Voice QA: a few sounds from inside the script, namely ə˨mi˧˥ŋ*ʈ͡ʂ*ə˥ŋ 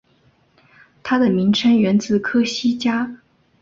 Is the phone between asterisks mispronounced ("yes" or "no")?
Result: yes